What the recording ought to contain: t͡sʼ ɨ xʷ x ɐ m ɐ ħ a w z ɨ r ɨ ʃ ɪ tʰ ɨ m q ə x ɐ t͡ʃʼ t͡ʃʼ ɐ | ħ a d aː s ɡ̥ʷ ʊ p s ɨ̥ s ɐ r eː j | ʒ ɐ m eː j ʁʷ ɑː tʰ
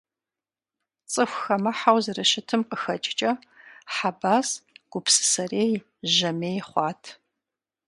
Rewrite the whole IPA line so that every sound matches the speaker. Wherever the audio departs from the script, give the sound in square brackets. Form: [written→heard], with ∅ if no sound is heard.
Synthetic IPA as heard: t͡sʼ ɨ xʷ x ɐ m ɐ ħ a w z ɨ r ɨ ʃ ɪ tʰ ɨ m q ə x ɐ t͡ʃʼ t͡ʃʼ ɐ | ħ a [d→b] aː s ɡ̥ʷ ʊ p s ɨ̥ s ɐ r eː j | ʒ ɐ m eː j [ʁʷ→χʷ] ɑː tʰ